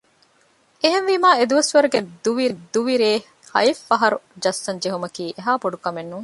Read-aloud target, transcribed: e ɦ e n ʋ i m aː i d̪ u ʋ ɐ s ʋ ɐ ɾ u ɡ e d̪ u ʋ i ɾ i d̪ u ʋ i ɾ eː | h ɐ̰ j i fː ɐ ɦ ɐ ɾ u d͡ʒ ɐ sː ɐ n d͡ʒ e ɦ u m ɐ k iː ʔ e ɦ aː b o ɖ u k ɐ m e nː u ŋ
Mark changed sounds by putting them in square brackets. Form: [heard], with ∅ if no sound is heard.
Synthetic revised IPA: e ɦ e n ʋ i m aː [e] d̪ u ʋ ɐ s ʋ ɐ ɾ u ɡ e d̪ u ʋ i ɾ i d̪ u ʋ i ɾ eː | h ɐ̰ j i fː ɐ ɦ ɐ ɾ u d͡ʒ ɐ sː ɐ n d͡ʒ e ɦ u m ɐ k iː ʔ e ɦ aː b o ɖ u k ɐ m e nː u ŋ